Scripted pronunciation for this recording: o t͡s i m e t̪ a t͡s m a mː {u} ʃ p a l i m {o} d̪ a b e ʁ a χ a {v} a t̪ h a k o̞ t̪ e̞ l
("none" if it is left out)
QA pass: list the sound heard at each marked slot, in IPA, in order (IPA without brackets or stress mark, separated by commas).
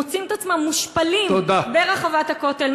u, o, v